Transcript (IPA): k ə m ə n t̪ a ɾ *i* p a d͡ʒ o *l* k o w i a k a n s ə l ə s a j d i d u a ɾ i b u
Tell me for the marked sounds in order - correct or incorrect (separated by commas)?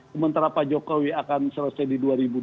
incorrect, incorrect